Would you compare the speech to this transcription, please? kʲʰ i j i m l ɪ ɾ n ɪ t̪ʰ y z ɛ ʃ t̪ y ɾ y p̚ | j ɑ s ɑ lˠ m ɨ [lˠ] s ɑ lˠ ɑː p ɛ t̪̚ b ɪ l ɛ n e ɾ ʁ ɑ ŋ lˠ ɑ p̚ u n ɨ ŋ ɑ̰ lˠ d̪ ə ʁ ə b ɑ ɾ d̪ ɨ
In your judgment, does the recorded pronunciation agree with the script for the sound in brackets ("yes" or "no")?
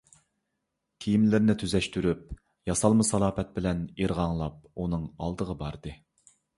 no